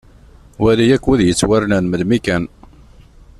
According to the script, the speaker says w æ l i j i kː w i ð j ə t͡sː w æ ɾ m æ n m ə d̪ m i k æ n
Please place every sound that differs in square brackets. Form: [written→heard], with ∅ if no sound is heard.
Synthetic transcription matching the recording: w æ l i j [i→æ] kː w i ð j ə t͡sː w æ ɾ [m→n] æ n m ə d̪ m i k æ n